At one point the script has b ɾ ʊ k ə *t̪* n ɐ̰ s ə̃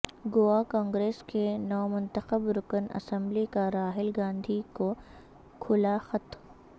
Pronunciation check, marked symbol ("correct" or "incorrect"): incorrect